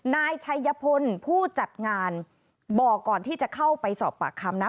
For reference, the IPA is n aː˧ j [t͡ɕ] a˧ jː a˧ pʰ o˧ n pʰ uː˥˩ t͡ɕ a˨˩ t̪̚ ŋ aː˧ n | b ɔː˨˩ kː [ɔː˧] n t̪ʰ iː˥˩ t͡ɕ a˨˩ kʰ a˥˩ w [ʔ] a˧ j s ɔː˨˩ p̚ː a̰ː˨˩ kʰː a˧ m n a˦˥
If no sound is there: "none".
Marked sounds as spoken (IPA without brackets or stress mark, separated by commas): t͡ɕʰ, ɔː˨˩, p